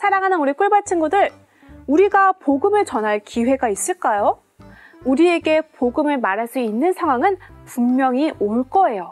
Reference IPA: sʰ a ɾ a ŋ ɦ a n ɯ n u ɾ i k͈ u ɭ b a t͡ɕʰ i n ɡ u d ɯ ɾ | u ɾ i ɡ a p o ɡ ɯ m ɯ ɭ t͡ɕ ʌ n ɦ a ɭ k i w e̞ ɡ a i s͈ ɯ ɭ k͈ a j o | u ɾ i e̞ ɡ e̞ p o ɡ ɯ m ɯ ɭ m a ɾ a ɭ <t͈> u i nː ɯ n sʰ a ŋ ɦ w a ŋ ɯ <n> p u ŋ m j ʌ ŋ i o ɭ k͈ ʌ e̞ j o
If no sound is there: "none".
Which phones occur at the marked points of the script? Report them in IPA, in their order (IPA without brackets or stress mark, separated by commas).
s͈, n